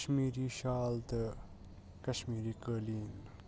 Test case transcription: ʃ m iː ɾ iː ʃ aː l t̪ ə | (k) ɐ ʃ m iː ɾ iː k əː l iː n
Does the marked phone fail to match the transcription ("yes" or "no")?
no